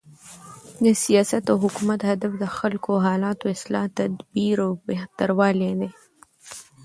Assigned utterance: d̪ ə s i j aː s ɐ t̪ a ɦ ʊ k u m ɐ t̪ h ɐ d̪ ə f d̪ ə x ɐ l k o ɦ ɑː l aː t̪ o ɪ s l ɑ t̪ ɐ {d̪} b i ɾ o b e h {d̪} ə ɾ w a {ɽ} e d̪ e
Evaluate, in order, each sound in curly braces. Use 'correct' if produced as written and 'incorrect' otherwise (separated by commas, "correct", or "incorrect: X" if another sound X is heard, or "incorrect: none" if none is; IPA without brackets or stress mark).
correct, incorrect: t̪, incorrect: l